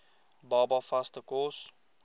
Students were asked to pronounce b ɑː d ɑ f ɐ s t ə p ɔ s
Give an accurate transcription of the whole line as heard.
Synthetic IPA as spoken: b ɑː b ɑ f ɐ s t ə k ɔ s